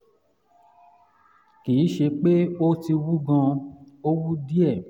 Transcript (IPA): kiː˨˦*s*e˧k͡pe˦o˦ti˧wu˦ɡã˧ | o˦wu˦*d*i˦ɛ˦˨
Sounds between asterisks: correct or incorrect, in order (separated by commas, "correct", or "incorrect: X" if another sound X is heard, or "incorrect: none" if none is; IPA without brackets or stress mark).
incorrect: ʃ, correct